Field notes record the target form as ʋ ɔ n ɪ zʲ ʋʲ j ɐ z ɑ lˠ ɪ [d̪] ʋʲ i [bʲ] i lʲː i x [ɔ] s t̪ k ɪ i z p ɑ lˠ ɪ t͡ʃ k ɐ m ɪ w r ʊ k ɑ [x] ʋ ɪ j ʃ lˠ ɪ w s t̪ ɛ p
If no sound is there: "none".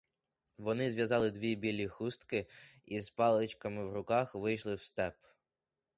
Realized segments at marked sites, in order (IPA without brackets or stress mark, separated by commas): d̪, bʲ, u, x